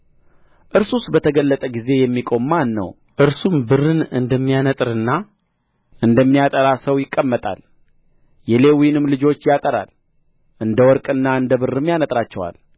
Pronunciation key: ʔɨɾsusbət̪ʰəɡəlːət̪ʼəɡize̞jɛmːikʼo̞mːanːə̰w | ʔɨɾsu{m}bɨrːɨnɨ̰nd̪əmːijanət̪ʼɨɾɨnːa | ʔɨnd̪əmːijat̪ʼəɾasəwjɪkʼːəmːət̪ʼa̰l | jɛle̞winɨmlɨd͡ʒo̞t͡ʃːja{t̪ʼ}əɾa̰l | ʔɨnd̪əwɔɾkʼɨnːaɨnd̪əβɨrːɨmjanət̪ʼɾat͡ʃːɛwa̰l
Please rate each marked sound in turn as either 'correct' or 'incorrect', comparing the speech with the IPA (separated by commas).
correct, correct